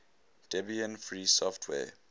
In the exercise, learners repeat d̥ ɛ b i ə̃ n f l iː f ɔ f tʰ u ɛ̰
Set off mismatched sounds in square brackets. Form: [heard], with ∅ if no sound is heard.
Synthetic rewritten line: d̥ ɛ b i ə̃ n f [ɹ] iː [s] ɔ f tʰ [w] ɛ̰